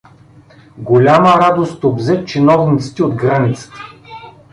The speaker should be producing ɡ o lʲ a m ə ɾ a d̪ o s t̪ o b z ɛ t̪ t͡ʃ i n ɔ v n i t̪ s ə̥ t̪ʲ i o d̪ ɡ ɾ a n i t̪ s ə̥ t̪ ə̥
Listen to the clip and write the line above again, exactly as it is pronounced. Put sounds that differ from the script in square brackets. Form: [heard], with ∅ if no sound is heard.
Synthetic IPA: ɡ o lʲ a m ə ɾ a d̪ o s t̪ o b z ɛ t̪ t͡ʃ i n ɔ v n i t̪ s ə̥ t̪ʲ i o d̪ ɡ ɾ a n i t̪ s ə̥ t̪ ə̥